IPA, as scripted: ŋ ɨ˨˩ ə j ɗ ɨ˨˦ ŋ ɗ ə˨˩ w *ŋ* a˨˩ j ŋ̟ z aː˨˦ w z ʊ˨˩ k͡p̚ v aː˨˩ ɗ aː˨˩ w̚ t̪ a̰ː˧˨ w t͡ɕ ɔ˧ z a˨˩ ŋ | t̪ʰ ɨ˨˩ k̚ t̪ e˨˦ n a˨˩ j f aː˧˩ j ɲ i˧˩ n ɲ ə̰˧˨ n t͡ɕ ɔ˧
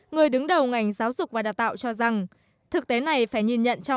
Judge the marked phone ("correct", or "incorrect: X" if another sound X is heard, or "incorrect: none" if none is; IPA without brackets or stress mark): correct